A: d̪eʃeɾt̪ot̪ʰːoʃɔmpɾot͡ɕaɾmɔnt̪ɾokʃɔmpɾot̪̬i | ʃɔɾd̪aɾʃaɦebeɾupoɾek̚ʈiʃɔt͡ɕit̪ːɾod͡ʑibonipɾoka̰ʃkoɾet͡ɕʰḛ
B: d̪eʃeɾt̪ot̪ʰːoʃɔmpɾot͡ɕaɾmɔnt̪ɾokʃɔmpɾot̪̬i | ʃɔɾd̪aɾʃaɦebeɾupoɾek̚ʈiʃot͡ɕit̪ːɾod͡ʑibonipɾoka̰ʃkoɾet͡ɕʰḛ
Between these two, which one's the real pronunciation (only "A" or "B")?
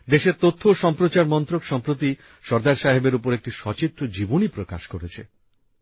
A